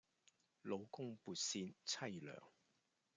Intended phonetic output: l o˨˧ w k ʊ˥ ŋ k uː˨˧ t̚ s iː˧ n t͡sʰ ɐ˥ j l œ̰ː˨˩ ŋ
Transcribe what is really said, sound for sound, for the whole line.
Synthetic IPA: l o˨˧ w k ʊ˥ ŋ p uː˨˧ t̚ s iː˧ n t͡sʰ ɐ˥ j l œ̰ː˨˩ ŋ